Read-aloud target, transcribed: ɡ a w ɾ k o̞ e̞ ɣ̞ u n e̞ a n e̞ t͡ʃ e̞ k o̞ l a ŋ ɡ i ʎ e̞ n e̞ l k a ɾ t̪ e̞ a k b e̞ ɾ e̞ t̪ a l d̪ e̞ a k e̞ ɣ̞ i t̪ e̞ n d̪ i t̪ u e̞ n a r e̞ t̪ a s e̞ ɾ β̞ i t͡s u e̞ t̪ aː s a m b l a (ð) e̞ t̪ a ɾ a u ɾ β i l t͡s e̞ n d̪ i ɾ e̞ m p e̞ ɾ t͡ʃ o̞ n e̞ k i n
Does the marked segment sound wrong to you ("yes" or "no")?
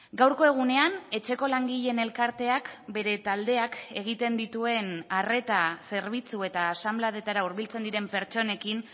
no